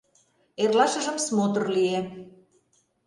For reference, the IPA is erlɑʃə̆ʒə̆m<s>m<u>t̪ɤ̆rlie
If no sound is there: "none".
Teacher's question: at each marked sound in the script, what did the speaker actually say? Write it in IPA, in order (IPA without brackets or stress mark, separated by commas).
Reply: s, o